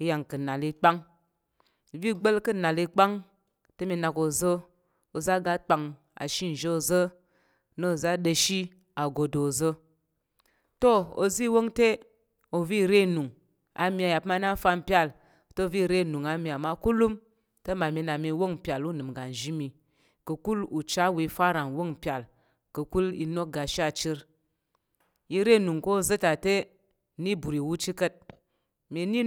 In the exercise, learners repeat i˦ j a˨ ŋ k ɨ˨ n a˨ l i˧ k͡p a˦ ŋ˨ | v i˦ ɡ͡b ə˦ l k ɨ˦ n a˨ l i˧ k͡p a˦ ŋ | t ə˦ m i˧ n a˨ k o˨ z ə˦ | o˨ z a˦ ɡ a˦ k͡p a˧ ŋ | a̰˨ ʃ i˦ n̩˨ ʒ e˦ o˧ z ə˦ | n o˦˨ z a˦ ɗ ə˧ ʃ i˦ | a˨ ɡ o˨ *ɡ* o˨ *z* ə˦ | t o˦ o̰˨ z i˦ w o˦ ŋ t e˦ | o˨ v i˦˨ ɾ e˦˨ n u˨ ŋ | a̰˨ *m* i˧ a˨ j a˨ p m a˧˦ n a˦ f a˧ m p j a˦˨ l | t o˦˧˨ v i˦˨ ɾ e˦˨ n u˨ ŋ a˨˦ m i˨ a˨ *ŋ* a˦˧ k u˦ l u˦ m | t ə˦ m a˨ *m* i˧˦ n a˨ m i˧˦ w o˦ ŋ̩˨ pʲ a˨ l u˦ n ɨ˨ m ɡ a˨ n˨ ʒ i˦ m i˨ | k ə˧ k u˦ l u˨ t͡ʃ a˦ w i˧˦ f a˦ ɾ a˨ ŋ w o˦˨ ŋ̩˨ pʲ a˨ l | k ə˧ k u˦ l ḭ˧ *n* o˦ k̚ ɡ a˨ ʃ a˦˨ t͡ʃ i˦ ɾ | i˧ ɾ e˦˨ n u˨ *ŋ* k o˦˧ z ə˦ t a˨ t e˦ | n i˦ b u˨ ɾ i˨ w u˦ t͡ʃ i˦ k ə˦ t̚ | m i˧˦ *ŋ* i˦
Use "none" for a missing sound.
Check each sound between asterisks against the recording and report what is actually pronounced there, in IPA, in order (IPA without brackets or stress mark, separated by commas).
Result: d, z, m, m, m, n, ŋ, n